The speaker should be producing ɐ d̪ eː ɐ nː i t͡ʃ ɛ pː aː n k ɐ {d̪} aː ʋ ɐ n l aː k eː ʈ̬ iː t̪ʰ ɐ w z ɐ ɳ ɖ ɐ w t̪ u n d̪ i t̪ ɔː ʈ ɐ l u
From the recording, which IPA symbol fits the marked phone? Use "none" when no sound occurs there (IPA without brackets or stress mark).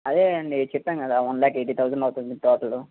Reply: d̪